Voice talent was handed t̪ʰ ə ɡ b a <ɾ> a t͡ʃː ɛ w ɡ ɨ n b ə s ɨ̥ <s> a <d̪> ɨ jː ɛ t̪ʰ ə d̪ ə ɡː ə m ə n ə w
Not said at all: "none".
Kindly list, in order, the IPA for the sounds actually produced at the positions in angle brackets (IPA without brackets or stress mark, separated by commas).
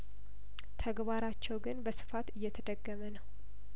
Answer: ɾ, f, t̪